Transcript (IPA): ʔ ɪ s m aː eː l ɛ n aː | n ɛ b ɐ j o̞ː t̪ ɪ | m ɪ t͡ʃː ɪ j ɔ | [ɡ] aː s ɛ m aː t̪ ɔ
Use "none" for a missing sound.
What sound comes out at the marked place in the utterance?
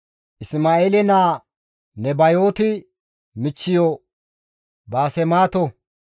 b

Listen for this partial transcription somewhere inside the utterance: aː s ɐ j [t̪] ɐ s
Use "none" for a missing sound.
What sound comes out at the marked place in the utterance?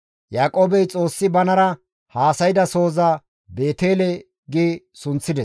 d̪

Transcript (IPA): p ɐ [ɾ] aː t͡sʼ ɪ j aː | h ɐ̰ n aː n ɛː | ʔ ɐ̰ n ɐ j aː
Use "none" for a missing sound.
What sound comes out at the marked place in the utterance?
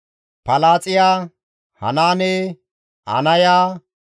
l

